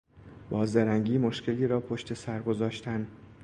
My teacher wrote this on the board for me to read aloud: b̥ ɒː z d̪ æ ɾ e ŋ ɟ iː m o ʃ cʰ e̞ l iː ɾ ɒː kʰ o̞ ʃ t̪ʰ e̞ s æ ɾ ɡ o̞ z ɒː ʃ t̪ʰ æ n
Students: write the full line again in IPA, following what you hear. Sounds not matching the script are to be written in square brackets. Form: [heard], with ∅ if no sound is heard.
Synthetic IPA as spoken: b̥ ɒː z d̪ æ ɾ [æ] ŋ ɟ iː m o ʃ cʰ e̞ l iː ɾ ɒː [pʰ] o̞ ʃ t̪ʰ e̞ s æ ɾ ɡ o̞ z ɒː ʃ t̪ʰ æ n